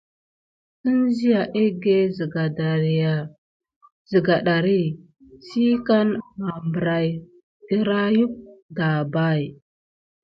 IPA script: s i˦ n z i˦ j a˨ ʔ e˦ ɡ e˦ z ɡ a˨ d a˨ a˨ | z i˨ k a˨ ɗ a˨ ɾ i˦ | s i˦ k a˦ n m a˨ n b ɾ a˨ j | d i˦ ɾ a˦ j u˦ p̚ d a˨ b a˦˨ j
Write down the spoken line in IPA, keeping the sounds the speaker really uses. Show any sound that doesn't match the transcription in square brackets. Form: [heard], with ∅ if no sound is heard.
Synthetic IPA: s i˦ n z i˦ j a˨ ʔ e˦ ɡ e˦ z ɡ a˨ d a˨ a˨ | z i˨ [ɡ] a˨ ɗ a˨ ɾ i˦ | s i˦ k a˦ n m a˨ [m] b ɾ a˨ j | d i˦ ɾ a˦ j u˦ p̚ d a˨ b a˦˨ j